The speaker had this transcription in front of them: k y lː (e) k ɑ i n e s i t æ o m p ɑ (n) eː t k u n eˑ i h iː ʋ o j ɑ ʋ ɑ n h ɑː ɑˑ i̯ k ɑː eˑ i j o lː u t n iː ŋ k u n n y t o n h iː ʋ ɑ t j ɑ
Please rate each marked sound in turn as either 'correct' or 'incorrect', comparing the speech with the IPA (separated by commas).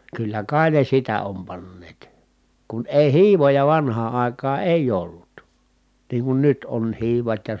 incorrect, incorrect